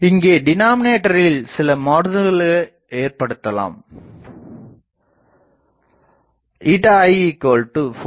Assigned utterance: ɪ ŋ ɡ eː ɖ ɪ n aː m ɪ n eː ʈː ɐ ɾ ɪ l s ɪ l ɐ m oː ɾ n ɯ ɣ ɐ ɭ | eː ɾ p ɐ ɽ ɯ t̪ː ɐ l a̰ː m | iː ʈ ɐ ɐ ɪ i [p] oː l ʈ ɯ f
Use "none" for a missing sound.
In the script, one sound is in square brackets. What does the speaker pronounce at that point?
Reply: k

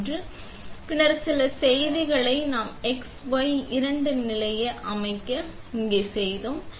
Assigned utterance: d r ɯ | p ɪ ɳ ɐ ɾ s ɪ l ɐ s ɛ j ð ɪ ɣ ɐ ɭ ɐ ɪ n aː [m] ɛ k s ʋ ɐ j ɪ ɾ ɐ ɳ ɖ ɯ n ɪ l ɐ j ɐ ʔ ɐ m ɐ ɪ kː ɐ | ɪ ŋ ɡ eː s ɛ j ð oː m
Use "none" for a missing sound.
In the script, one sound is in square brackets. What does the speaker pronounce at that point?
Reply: m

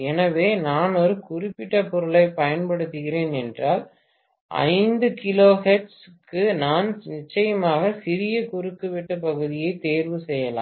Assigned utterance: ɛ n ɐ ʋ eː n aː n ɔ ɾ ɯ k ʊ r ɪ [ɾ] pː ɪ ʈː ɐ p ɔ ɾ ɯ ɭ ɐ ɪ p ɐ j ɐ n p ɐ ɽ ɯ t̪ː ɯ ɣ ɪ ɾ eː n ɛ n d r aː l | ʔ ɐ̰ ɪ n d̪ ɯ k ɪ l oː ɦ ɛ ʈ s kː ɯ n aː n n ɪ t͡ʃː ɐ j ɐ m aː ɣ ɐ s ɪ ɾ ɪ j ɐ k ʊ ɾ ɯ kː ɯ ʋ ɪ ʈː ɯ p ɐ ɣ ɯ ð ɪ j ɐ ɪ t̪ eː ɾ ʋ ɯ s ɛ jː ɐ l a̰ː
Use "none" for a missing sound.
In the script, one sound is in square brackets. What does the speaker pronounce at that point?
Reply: none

